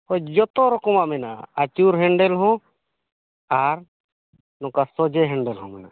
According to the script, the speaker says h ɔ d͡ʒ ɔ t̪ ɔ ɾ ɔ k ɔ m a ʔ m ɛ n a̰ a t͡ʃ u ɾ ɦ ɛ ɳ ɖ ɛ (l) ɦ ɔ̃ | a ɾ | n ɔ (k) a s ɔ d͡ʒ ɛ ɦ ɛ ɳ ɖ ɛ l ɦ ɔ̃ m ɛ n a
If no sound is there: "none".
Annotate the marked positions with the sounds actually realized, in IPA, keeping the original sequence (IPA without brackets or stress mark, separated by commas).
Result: l, k